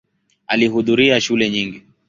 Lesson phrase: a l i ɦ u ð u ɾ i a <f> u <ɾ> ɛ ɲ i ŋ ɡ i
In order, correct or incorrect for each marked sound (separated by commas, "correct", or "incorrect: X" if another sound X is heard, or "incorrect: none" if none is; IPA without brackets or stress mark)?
incorrect: ʃ, incorrect: l